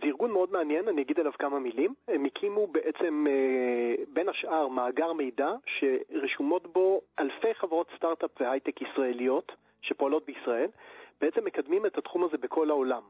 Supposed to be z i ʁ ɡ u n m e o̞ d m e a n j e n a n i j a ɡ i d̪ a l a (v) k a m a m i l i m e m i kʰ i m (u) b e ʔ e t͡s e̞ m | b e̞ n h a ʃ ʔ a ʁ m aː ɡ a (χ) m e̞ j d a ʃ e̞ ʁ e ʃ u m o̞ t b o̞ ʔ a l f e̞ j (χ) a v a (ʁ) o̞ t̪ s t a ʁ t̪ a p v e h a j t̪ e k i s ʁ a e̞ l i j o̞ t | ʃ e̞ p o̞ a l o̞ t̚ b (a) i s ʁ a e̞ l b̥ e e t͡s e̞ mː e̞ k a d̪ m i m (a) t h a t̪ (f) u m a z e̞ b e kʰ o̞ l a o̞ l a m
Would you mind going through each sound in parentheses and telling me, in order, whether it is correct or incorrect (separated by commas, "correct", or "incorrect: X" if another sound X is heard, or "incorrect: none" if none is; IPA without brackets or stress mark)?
correct, correct, incorrect: ʁ, correct, correct, incorrect: e, incorrect: e, incorrect: χ